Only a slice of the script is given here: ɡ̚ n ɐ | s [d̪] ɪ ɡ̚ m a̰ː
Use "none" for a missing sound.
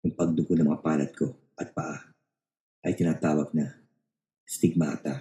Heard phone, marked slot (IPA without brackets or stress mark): t̪